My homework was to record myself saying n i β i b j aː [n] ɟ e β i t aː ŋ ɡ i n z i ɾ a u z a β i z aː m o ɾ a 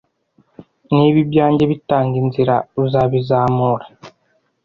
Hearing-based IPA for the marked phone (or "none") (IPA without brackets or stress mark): ɲ